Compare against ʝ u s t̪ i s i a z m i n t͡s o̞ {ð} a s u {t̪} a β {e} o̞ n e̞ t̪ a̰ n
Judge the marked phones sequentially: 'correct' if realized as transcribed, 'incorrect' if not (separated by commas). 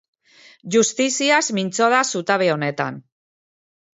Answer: correct, correct, correct